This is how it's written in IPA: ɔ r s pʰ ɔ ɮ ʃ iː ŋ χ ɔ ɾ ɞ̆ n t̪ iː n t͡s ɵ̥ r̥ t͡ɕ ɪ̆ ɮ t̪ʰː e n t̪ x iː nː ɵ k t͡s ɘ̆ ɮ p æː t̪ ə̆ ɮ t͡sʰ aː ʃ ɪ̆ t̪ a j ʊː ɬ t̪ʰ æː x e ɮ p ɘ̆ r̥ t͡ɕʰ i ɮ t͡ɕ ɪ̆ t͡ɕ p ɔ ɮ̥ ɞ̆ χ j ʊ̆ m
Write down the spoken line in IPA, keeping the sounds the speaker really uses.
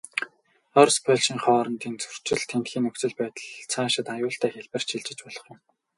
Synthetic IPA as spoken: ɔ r s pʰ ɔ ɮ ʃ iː ŋ χ ɔː ɾ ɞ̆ n t̪ iː n t͡s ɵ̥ r̥ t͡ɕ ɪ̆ ɮ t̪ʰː e n t̪ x iː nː ɵ k t͡s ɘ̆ ɮ p æː t̪ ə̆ ɮ t͡sʰ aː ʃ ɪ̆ t̪ a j ʊː ɬ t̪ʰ æː x e ɮ p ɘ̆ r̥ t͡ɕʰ i ɮ t͡ɕ ɪ̆ t͡ɕ p ɔ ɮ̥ ɞ̆ χ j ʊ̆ m